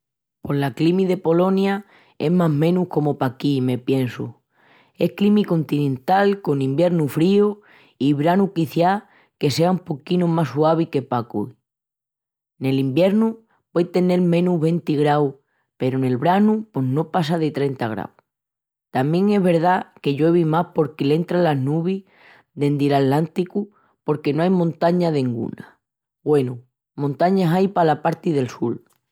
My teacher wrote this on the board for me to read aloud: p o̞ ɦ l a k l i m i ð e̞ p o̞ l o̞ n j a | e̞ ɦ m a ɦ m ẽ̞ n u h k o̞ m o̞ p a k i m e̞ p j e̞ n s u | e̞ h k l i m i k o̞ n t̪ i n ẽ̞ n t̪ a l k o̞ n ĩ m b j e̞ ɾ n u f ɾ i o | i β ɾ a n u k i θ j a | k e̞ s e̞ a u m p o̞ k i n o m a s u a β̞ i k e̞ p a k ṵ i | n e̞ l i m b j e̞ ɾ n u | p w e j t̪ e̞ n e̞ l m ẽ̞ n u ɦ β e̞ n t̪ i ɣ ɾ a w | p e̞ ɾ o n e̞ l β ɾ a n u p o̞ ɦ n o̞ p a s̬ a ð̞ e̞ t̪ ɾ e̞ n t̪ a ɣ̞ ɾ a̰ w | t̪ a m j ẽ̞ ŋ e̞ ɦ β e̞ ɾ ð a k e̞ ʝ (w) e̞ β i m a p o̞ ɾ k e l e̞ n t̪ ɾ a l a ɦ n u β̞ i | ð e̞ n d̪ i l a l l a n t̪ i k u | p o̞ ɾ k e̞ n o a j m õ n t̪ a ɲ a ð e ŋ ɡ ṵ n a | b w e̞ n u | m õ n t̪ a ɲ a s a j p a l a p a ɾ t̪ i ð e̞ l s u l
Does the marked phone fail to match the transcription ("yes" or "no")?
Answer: no